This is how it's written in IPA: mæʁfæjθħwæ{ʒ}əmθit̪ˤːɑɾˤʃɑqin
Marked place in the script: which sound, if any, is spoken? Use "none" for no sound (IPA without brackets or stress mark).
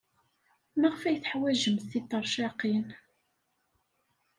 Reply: ʒ